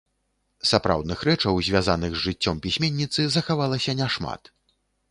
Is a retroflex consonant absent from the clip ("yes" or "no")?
no